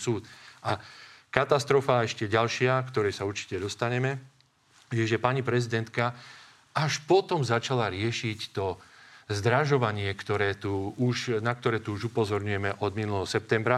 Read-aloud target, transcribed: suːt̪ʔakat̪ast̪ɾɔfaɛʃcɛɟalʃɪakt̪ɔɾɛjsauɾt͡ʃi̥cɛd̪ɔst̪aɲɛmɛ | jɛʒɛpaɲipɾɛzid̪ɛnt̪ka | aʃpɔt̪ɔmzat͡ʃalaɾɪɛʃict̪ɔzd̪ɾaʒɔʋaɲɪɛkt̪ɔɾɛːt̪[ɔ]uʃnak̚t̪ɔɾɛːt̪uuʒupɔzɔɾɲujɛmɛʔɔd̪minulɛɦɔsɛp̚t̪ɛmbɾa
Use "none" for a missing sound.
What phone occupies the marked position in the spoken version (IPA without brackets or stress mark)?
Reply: u